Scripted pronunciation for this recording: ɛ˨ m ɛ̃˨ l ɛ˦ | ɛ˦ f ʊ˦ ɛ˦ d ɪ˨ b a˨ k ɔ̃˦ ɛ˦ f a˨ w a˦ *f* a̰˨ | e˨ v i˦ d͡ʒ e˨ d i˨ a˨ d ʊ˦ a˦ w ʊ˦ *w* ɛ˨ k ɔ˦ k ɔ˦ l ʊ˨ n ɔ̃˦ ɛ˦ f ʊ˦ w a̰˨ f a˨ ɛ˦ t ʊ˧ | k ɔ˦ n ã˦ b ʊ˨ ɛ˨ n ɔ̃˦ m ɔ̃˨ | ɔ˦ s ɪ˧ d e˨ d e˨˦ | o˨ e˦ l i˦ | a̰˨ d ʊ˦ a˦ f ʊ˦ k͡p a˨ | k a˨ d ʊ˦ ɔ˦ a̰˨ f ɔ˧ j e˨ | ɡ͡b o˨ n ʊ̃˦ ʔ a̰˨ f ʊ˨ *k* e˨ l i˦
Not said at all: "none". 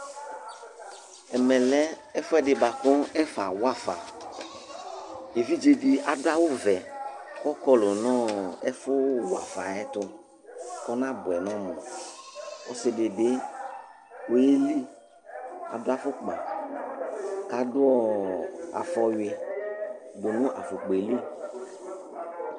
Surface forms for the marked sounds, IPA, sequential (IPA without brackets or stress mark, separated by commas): f, v, k͡p